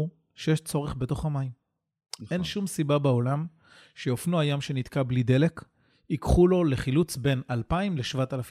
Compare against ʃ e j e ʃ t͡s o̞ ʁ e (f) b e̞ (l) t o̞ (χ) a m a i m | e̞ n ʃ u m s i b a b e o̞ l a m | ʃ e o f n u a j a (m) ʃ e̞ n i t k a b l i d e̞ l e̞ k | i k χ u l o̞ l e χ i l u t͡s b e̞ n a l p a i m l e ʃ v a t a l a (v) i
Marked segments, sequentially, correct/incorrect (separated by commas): incorrect, incorrect, correct, correct, incorrect